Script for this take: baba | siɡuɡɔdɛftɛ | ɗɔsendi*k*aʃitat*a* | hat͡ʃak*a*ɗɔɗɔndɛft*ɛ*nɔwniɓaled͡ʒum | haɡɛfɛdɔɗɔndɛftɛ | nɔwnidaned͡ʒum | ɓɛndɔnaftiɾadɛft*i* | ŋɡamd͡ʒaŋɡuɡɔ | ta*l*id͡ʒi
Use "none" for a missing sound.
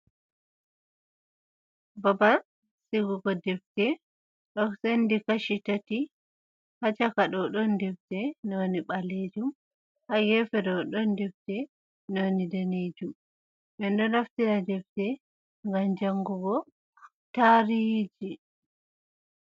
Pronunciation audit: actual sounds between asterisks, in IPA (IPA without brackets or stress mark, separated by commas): k, i, a, ɛ, ɛ, ɾ